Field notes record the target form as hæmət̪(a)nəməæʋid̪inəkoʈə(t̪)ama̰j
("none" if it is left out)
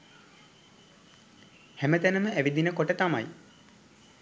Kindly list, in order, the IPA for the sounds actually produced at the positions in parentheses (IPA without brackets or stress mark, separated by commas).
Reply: æ, t̪